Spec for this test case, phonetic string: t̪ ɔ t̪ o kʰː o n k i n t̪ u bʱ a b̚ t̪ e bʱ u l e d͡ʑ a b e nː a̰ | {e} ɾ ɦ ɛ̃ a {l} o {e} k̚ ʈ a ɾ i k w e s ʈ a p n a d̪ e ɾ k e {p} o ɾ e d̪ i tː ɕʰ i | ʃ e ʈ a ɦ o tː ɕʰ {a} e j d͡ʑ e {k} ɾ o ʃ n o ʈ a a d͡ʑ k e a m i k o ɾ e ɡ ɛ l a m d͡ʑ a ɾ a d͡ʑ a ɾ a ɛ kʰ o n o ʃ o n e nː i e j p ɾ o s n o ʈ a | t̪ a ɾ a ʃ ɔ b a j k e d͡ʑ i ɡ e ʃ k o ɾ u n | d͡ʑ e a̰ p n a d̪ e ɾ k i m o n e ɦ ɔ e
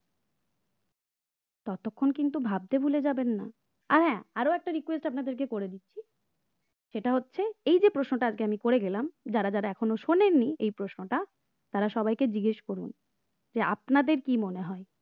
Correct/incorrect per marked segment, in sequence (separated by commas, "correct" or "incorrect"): incorrect, incorrect, incorrect, incorrect, incorrect, incorrect